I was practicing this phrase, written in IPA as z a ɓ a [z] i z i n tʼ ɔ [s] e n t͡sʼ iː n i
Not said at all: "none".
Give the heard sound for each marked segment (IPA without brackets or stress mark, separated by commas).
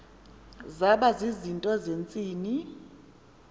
z, z